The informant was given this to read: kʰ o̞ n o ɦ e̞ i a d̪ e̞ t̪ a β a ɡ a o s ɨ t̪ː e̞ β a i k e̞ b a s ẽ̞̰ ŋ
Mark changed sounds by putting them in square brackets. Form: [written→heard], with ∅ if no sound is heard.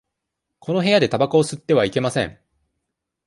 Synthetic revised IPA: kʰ o̞ n o ɦ e̞ [i→j] a d̪ e̞ t̪ a [β→b] a [ɡ→k] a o s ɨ t̪ː e̞ β a i k e̞ [b→m] a s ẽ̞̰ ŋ

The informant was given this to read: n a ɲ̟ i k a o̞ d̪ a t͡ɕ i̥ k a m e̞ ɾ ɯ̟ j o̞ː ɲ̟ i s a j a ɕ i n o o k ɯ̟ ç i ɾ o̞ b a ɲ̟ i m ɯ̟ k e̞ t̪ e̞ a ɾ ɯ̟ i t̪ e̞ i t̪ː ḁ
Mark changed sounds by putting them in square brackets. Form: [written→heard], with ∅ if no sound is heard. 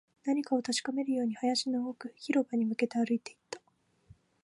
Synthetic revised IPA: n a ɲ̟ i k a o̞ [d̪→t̪] a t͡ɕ i̥ k a m e̞ ɾ ɯ̟ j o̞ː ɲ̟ i [s→h] a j a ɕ i n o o k ɯ̟ ç i ɾ o̞ b a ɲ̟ i m ɯ̟ k e̞ t̪ e̞ a ɾ ɯ̟ i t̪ e̞ i t̪ː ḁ

